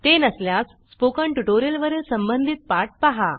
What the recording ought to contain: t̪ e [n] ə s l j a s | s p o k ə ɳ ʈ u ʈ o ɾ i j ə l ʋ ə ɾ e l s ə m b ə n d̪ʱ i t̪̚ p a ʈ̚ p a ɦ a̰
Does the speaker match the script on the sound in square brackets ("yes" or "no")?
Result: yes